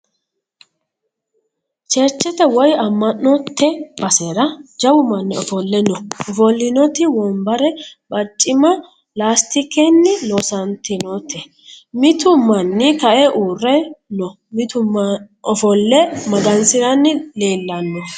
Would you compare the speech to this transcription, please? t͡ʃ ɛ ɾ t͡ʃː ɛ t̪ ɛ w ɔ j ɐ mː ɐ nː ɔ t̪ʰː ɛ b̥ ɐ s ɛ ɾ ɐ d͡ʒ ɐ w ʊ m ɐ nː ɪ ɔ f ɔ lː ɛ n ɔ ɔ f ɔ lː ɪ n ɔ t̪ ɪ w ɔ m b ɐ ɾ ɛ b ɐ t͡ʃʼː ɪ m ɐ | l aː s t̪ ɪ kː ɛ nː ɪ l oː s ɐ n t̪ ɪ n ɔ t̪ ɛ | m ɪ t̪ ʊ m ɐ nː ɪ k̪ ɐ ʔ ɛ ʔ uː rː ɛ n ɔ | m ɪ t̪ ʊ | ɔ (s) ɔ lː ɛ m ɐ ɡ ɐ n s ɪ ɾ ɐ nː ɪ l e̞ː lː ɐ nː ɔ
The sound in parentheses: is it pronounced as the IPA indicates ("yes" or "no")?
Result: no